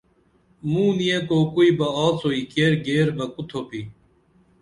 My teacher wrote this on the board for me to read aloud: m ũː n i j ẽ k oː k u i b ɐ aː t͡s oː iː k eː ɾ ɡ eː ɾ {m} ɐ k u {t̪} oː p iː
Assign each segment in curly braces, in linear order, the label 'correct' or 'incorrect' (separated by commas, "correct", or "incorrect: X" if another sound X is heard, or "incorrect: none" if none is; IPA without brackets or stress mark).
incorrect: b, incorrect: t̪ʰ